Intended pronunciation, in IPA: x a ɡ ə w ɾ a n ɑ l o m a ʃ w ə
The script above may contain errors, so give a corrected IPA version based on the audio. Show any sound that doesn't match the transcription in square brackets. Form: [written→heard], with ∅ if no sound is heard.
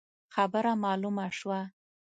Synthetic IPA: x a [ɡ→b] ə [w→∅] ɾ a [n→m] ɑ l [o→u] m a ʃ w [ə→a]